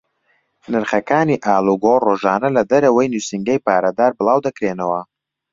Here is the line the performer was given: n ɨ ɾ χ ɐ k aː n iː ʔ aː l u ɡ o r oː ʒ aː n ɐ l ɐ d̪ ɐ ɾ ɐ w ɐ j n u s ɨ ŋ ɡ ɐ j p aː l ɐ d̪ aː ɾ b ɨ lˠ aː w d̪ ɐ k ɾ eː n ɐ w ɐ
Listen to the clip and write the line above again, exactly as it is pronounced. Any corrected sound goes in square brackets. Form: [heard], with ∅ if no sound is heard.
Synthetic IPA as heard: n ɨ ɾ χ ɐ k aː n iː ʔ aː l u ɡ o r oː ʒ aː n ɐ l ɐ d̪ ɐ ɾ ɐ w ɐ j n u s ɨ ŋ ɡ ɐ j p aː [ɾ] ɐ d̪ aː ɾ b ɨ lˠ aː w d̪ ɐ k ɾ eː n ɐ w ɐ